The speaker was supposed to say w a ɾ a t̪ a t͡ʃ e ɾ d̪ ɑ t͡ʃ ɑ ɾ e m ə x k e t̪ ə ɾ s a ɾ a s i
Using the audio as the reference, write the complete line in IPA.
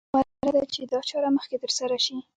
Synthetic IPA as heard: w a ɾ a d̪ a t͡ʃ e d̪ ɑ t͡ʃ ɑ ɾ a m ə x k e t̪ ə ɾ s a ɾ a ʃ i